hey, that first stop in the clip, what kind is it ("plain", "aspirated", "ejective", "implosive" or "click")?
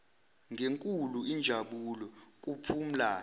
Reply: ejective